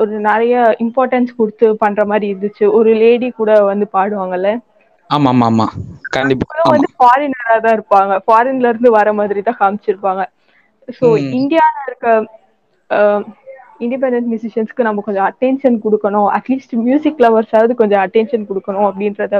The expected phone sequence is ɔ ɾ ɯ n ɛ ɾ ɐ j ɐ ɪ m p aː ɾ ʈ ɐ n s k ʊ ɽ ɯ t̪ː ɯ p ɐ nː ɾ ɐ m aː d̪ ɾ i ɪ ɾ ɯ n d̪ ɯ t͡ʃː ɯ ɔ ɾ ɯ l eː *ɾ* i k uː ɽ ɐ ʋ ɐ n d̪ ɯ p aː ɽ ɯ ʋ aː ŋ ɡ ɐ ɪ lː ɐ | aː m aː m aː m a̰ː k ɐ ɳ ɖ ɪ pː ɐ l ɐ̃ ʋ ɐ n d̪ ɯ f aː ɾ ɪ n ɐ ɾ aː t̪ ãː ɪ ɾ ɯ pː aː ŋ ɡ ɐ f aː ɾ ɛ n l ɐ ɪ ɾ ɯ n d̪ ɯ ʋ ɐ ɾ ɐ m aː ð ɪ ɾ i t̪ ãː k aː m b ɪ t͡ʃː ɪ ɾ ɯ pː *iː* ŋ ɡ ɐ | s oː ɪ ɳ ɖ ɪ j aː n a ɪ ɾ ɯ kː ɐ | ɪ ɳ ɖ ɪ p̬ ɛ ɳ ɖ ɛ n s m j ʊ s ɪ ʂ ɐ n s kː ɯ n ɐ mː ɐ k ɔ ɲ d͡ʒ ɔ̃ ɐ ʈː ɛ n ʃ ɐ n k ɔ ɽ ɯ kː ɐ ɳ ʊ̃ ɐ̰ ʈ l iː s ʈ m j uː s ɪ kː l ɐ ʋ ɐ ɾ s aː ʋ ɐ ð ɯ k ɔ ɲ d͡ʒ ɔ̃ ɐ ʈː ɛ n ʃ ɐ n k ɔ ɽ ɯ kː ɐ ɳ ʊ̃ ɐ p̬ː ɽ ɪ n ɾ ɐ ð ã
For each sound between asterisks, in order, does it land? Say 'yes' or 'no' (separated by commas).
no, no